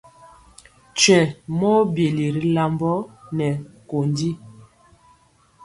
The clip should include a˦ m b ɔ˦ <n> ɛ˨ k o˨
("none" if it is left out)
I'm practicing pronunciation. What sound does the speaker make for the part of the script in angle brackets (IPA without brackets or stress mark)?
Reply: n